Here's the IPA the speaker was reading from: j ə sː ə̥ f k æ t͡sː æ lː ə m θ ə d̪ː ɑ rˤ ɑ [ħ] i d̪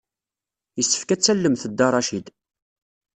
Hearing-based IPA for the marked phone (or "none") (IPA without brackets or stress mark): ʃ